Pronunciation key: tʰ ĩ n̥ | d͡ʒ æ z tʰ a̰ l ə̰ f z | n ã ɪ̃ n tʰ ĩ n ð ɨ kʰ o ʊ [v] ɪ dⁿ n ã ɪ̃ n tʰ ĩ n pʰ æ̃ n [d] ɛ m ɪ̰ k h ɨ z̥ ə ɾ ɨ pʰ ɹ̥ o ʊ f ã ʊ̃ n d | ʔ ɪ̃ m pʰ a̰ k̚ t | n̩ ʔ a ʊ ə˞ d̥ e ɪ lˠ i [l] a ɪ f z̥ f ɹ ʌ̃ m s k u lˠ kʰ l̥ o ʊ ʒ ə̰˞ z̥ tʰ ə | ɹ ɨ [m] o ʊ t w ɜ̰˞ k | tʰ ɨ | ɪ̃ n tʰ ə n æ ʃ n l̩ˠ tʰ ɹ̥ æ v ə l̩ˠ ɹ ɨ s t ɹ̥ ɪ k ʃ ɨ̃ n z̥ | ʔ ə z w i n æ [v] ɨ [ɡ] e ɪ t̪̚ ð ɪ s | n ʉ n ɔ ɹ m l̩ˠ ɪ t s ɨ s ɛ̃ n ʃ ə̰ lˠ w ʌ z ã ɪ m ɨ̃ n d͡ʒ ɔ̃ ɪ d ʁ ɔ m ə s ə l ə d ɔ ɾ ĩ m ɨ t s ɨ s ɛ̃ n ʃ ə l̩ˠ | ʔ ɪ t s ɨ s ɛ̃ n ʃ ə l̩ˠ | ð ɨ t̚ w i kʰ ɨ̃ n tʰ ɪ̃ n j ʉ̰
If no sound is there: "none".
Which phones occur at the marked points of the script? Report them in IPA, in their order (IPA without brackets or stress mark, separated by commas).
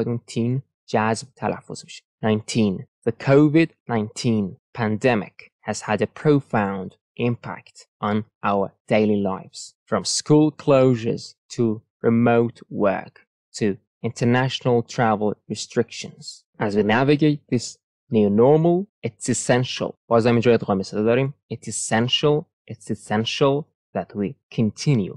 v, d, l, m, v, ɡ